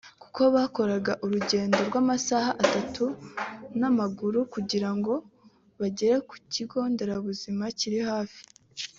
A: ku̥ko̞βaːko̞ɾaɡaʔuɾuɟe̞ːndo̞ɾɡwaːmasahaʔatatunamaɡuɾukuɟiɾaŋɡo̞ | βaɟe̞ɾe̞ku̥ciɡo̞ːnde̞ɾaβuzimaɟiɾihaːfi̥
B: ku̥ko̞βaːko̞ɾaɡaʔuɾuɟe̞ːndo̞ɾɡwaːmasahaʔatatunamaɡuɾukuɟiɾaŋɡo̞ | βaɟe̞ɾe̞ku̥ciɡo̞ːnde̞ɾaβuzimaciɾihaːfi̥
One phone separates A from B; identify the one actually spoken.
B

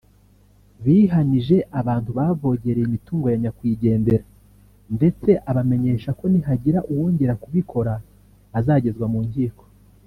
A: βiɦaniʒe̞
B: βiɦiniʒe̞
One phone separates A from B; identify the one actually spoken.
A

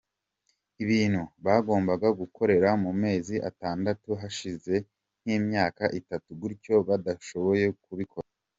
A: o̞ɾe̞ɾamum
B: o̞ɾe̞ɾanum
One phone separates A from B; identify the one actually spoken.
A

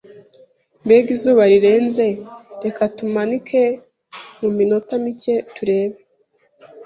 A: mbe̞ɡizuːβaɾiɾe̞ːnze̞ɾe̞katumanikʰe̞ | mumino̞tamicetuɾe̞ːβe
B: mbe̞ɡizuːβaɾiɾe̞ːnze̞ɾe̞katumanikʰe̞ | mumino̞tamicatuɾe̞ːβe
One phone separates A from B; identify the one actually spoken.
A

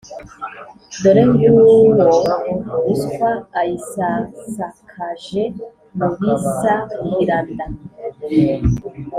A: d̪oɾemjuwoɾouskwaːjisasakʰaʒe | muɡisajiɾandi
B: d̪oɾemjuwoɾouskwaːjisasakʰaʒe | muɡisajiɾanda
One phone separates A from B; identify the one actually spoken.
B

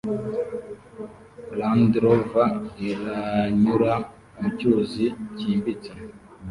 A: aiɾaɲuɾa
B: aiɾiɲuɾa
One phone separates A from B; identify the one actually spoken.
A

